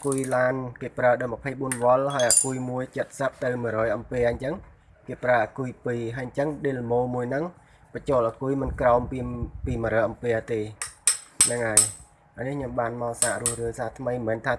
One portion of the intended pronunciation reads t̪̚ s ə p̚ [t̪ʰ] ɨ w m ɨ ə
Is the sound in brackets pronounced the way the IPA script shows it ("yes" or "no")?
no